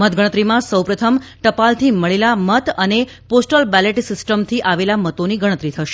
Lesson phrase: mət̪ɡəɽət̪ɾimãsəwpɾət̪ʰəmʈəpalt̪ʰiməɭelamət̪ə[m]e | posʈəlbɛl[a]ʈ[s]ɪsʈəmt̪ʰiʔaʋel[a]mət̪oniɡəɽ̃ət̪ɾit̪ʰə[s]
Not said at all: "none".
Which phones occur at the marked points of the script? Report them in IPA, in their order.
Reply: n, e, s, a, ʃ

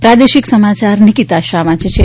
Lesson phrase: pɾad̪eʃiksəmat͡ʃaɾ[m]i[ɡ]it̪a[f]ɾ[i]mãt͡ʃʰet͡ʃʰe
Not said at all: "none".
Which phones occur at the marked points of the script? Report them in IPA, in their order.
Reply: n, k, ʃ, a

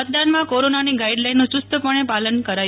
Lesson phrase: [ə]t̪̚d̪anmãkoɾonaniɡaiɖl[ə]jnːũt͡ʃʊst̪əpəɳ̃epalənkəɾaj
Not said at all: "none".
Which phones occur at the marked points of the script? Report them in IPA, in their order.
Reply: ə, a

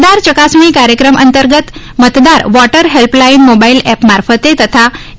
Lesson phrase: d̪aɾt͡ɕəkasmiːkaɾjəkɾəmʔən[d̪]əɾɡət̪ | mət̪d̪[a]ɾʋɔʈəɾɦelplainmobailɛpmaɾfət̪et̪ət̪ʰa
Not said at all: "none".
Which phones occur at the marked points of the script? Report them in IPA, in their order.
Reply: t̪, a

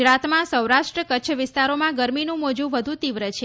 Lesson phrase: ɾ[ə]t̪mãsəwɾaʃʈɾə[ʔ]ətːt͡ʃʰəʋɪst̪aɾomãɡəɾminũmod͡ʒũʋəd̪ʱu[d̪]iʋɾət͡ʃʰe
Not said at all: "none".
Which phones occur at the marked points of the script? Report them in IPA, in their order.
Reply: a, k, t̪

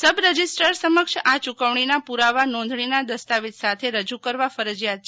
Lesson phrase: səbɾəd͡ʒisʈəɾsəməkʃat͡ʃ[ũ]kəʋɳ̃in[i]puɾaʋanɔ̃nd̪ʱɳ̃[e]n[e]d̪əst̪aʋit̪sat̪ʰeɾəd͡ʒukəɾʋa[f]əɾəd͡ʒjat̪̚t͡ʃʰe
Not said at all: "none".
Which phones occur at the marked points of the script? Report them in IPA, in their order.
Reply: u, a, i, a, f

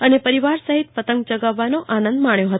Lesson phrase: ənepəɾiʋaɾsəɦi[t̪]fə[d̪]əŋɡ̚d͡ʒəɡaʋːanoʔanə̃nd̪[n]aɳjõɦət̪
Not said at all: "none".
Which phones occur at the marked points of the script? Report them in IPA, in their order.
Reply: t̪, t̪, m

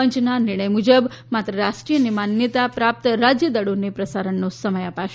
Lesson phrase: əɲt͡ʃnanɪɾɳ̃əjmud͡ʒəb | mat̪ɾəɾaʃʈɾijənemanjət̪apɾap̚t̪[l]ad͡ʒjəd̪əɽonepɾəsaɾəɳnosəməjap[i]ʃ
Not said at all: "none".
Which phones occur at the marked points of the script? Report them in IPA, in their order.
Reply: ɾ, a

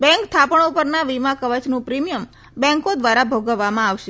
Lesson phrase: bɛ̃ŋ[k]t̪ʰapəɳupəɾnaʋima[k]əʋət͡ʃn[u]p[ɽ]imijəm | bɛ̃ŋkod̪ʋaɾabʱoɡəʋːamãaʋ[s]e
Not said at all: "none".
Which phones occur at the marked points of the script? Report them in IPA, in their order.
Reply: k, k, ũ, ɾ, ʃ

